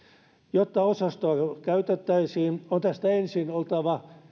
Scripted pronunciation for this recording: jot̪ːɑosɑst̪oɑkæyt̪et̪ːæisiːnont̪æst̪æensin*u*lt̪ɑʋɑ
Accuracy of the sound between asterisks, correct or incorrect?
incorrect